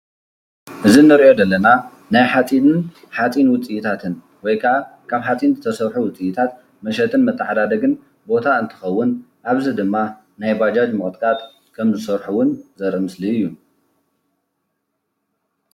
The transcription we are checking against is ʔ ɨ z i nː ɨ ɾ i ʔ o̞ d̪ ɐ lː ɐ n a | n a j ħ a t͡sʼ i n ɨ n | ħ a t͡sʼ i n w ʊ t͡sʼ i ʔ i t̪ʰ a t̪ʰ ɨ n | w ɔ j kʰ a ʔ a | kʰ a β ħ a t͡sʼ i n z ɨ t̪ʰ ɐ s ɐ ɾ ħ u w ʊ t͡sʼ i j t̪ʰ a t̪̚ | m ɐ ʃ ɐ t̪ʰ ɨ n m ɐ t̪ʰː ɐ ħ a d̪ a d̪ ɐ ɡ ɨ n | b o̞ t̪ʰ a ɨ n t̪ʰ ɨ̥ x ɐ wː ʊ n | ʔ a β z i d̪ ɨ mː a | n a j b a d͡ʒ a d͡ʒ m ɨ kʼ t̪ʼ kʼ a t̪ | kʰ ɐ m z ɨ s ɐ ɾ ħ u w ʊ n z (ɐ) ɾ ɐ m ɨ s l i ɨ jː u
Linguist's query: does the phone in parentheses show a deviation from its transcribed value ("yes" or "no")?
no